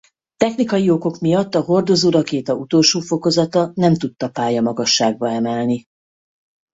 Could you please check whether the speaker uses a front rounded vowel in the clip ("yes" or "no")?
no